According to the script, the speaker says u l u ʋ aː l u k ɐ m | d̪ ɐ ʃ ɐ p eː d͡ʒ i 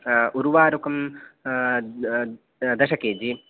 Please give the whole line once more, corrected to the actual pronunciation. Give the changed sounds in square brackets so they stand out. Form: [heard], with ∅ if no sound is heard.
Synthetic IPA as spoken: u [ɾ] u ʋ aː [ɾ] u k ɐ m | d̪ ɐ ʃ ɐ [k] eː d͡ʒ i